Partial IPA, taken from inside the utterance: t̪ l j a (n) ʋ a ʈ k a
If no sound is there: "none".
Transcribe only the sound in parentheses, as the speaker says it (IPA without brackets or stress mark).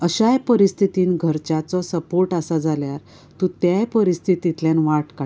n